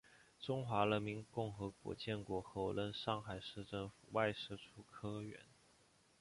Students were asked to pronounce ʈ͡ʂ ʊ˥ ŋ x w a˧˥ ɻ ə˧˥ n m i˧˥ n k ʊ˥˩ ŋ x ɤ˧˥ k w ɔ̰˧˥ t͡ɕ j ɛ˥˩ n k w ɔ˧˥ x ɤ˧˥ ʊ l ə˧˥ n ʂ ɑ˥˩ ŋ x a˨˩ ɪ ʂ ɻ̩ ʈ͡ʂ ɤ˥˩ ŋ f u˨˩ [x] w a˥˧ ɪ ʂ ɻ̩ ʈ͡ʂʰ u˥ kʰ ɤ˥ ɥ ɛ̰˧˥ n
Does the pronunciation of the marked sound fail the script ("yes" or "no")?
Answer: yes